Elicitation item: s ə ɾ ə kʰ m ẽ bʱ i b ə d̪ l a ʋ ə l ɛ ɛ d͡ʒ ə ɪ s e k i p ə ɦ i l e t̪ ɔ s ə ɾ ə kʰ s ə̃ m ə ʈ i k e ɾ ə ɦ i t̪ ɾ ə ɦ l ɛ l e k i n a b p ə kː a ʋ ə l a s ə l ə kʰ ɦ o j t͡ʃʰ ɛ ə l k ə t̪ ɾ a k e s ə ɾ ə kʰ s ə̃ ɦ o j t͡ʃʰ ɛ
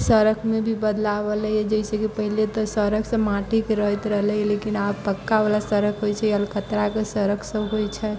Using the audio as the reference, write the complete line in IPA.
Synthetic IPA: s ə ɾ ə kʰ m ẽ bʱ i b ə d̪ l a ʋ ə l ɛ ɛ d͡ʒ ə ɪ s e k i p ə ɦ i l e t̪ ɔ s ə ɾ ə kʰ s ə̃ m a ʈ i k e ɾ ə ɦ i t̪ ɾ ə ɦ l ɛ l e k i n a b p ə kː a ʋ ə l a s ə ɾ ə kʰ ɦ o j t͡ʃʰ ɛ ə l k ə t̪ ɾ a k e s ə ɾ ə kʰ s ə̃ ɦ o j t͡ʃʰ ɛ